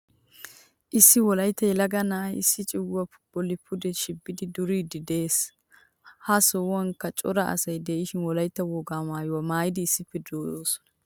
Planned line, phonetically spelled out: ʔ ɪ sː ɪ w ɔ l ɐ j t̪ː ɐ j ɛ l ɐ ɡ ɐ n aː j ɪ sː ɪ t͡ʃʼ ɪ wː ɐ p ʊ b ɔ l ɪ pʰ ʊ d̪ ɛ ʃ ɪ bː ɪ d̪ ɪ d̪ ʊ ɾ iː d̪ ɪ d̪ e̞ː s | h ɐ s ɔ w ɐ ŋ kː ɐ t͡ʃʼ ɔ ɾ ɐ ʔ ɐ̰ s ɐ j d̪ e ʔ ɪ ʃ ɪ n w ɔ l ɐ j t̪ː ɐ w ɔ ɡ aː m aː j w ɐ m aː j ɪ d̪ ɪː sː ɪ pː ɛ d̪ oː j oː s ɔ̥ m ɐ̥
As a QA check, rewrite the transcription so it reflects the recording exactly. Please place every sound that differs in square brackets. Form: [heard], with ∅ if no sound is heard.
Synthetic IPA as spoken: ʔ ɪ sː ɪ w ɔ l ɐ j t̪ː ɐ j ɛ l ɐ ɡ ɐ n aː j ɪ sː ɪ t͡ʃʼ ɪ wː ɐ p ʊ b ɔ l ɪ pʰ ʊ d̪ ɛ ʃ ɪ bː ɪ d̪ ɪ d̪ ʊ ɾ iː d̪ ɪ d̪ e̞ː s | h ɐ s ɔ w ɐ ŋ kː ɐ t͡ʃʼ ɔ ɾ ɐ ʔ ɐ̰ s ɐ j d̪ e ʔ ɪ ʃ ɪ n w ɔ l ɐ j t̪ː ɐ w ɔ ɡ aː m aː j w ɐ m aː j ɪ d̪ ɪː sː ɪ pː ɛ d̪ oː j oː s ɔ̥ [n] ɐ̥